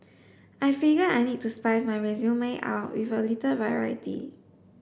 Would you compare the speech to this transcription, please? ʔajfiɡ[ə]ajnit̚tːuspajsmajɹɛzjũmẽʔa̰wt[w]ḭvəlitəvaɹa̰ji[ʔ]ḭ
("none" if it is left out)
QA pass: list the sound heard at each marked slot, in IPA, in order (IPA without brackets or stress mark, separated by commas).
ə, w, t